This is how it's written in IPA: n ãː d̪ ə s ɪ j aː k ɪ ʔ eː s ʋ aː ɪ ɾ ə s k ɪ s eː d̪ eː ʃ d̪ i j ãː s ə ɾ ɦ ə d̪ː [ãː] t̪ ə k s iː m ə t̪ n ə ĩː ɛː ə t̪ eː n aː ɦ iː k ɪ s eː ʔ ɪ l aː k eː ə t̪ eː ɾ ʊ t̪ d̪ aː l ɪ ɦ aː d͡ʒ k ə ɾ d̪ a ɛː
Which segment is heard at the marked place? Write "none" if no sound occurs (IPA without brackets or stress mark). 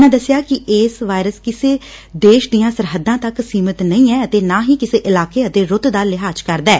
ãː